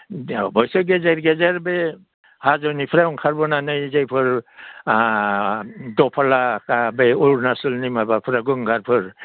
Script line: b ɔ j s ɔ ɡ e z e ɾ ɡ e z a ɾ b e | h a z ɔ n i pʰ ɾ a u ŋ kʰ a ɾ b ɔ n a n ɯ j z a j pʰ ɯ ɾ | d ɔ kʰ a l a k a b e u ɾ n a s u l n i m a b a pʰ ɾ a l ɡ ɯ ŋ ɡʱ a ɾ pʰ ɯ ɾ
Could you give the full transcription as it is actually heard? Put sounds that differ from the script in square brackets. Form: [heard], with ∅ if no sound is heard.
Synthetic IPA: b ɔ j s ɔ ɡ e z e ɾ ɡ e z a ɾ b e | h a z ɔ n i pʰ ɾ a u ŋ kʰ a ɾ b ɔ n a n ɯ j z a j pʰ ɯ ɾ | d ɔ [pʰ] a l a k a b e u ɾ n a s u l n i m a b a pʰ ɾ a [∅] ɡ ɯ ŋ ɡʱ a ɾ pʰ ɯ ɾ